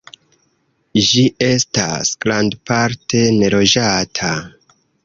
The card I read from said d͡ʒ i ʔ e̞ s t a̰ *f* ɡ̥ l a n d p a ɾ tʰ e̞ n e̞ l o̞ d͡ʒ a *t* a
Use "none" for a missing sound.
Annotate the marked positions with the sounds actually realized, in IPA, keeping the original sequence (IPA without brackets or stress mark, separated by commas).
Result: s, tʰ